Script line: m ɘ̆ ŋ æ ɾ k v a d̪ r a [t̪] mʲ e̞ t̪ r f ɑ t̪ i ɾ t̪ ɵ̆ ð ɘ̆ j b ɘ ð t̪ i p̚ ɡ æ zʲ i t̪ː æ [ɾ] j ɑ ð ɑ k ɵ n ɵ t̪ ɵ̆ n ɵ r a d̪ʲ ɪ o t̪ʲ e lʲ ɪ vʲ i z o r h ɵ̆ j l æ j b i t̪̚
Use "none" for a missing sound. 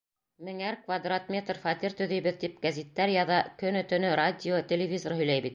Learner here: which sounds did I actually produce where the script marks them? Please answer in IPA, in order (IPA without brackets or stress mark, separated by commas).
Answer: t̪, ɾ